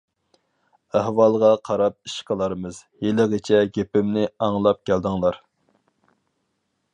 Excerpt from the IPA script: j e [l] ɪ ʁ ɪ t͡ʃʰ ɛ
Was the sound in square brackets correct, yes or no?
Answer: yes